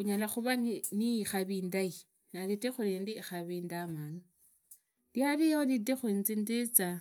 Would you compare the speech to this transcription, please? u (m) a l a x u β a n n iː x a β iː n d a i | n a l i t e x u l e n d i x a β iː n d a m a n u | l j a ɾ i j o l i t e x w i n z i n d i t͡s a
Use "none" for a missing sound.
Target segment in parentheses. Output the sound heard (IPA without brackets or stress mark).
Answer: ɲ